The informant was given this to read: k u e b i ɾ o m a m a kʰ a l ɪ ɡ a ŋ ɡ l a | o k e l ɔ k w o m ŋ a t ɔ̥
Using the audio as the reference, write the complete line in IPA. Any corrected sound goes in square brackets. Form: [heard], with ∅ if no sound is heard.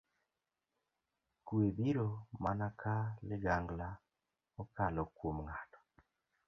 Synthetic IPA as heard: k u e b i ɾ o m a [n] a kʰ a l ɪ ɡ a ŋ ɡ l a | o k [a] l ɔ k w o m ŋ a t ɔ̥